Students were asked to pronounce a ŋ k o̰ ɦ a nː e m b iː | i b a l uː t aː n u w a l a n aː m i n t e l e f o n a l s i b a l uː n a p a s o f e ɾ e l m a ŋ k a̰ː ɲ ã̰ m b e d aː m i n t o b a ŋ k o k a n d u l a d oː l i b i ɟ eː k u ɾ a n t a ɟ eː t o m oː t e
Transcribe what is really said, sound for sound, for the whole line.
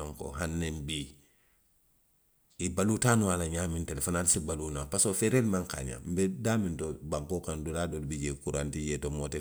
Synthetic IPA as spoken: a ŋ k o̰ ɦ a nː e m b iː | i b a l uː t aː n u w a l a ɲ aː m i n t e l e f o n a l s i b a l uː n a p a s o f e ɾ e l m a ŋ k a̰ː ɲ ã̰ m b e d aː m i n t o b a ŋ k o k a n d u l a d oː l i b i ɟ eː k u ɾ a n t i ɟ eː t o m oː t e

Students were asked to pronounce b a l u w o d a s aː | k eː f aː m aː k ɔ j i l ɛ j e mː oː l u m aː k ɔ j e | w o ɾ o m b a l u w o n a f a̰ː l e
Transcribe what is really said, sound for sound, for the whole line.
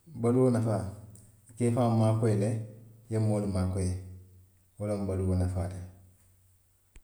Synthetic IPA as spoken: b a l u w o n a f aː | k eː f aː m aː k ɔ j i l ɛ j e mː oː l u m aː k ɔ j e | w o l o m b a l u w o n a f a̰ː l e

